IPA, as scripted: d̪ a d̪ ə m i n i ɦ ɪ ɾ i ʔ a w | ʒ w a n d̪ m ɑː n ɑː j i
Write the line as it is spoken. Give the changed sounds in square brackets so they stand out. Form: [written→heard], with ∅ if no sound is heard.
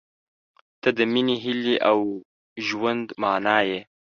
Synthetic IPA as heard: [d̪→t̪] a d̪ ə m i n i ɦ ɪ [ɾ→l] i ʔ a w | ʒ w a n d̪ m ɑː n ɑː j [i→e]